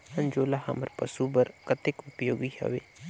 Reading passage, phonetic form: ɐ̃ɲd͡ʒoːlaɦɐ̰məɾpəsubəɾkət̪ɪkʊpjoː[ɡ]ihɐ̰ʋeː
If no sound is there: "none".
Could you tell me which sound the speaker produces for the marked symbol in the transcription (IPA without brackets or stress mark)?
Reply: ɡ